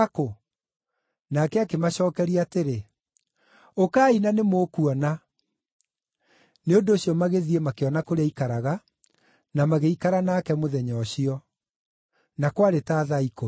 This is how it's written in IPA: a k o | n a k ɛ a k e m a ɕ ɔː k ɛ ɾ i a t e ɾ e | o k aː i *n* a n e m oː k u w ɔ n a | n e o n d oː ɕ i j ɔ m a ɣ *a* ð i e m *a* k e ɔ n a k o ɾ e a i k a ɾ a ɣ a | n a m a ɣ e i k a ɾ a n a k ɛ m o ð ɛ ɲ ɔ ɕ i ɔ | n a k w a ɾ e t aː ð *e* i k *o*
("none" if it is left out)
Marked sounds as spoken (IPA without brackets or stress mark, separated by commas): n, e, a, a, o